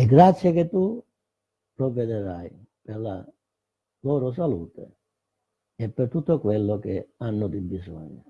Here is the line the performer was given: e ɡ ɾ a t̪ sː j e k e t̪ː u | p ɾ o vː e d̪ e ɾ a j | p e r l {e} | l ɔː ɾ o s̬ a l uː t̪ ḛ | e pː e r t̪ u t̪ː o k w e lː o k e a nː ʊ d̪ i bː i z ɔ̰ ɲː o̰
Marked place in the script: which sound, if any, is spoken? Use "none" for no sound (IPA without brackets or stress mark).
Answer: a